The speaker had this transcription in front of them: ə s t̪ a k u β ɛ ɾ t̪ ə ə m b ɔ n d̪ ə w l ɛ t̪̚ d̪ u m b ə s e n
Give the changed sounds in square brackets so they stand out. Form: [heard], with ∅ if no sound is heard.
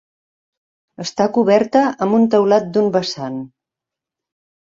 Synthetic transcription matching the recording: ə s t̪ a k u β ɛ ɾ t̪ ə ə m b [u] n [t̪] ə w l [a] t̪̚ d̪ u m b ə s [a] n